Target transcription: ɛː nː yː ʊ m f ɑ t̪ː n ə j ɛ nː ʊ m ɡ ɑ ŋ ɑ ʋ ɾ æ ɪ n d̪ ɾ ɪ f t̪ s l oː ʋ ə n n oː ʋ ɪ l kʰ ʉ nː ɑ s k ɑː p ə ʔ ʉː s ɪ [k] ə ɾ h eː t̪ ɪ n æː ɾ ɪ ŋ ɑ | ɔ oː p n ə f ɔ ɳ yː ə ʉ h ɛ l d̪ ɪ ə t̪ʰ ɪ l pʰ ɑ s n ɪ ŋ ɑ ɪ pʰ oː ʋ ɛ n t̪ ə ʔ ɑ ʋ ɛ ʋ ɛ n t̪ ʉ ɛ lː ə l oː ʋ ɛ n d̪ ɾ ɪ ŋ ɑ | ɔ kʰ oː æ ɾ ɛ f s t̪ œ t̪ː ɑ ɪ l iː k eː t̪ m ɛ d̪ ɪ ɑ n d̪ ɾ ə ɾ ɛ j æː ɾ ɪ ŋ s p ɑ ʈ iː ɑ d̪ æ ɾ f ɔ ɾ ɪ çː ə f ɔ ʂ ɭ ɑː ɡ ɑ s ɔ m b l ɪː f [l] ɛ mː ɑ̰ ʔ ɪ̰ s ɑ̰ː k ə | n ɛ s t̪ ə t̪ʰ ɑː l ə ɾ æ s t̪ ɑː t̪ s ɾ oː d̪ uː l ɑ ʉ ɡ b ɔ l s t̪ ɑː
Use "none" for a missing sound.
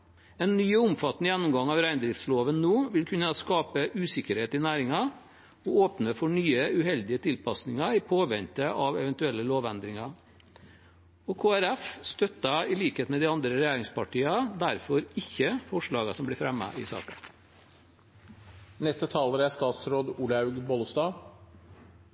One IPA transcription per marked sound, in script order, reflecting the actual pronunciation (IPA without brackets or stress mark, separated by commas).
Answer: k, ɾ